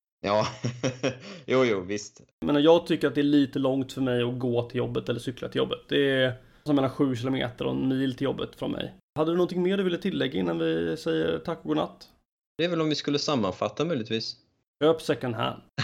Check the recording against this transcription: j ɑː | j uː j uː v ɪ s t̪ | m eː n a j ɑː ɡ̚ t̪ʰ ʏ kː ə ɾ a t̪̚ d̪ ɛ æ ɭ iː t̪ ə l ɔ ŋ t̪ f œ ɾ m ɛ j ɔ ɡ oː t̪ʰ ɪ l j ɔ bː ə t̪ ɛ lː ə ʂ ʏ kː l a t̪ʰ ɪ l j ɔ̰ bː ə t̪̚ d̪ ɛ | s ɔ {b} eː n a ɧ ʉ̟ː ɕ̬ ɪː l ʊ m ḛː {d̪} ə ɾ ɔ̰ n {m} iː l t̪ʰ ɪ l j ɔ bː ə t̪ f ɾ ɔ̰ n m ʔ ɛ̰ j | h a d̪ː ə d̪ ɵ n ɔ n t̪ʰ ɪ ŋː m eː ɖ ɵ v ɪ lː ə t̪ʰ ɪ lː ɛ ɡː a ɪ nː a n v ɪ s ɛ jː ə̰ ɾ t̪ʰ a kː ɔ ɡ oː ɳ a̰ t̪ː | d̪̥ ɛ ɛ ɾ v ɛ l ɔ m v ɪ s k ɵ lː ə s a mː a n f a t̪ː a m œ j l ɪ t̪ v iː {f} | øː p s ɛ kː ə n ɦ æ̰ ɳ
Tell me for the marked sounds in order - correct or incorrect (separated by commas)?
incorrect, incorrect, correct, incorrect